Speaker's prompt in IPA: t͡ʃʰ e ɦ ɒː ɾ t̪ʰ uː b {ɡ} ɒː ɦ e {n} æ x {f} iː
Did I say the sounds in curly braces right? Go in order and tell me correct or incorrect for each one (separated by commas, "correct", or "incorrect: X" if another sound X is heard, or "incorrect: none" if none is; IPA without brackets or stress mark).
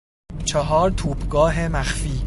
correct, incorrect: m, correct